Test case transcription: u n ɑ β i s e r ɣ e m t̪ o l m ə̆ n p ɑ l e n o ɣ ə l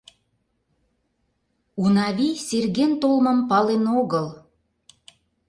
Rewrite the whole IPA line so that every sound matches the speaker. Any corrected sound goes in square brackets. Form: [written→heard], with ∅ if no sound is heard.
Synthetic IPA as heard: u n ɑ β i s e r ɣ e [m→n] t̪ o l m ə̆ [n→m] p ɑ l e n o ɣ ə l